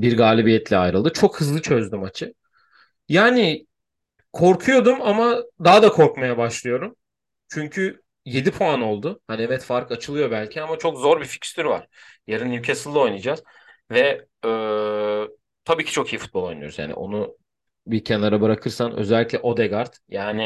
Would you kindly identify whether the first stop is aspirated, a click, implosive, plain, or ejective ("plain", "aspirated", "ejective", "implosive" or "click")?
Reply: plain